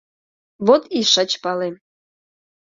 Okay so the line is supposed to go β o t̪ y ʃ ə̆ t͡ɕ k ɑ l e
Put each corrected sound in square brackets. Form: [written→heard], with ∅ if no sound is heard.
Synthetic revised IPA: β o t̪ [y→i] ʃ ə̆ t͡ɕ [k→p] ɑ l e